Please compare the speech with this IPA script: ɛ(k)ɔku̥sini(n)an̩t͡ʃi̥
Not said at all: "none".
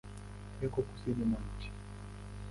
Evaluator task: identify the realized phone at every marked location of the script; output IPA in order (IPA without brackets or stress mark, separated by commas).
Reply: k, m